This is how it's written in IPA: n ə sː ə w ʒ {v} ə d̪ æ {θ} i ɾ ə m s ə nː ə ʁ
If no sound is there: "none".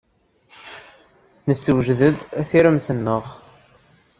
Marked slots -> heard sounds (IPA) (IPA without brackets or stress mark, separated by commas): ð, θ